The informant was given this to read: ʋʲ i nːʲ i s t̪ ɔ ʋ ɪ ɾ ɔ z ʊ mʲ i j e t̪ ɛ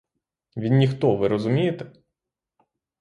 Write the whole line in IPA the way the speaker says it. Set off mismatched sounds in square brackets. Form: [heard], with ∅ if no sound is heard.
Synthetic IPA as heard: ʋʲ i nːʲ i [x] t̪ ɔ ʋ ɪ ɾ ɔ z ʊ mʲ i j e t̪ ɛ